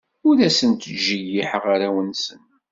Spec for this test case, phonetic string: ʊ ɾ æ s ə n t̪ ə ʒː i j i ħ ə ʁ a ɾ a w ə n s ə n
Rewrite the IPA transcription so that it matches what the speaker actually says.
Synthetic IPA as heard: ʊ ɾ æ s ə n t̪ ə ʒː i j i ħ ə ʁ a ɾ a w ə n s ə n